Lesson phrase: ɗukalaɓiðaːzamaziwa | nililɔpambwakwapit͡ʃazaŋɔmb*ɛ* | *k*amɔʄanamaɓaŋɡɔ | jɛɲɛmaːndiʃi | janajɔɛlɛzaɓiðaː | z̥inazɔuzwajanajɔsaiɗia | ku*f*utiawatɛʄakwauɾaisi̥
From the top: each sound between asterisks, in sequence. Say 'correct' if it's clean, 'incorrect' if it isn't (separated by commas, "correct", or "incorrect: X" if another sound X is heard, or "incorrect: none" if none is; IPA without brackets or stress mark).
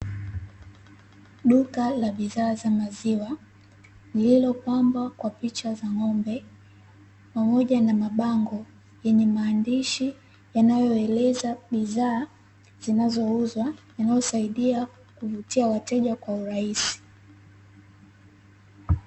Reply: correct, incorrect: p, incorrect: v